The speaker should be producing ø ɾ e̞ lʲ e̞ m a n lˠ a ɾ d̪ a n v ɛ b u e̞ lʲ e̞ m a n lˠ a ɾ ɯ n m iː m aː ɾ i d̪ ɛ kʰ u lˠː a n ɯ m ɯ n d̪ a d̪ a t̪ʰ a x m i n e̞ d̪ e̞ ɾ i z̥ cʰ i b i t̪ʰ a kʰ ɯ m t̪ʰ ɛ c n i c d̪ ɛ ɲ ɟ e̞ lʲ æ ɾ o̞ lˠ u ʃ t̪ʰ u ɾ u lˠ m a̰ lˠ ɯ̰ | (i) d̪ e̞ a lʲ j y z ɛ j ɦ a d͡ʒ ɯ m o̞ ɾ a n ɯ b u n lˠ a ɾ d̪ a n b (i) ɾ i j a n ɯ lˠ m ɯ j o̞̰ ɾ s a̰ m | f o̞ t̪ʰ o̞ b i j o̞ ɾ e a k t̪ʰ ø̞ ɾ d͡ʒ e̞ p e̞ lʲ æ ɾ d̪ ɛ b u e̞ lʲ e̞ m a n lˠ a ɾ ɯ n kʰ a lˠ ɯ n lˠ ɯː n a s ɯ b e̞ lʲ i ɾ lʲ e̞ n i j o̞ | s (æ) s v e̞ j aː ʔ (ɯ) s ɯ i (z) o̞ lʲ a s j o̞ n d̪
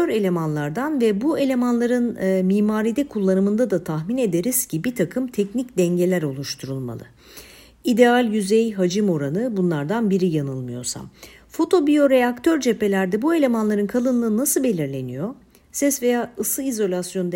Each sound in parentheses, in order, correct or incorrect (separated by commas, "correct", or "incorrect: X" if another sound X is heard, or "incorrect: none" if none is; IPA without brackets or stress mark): correct, correct, incorrect: ɛ, correct, correct